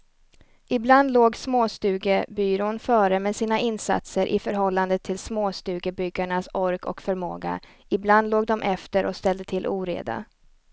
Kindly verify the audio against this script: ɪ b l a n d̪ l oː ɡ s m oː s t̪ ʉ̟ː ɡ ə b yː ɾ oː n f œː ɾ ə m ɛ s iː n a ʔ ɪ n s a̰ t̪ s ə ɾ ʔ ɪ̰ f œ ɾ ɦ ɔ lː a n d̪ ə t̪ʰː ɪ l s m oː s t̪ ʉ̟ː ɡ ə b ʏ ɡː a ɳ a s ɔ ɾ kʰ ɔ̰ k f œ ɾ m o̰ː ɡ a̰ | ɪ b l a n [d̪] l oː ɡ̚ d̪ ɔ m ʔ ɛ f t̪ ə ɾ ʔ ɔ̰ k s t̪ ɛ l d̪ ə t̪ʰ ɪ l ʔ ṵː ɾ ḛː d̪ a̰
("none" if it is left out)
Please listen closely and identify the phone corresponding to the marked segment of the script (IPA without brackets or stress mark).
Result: d̪